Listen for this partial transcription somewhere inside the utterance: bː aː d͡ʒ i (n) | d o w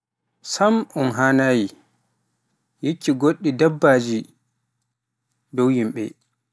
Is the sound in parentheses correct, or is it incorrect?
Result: incorrect